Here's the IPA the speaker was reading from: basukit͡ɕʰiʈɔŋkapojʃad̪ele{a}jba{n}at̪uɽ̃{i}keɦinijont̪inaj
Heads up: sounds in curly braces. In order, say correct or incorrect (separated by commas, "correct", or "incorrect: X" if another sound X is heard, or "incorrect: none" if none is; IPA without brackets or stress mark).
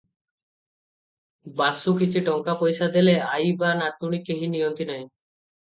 correct, correct, correct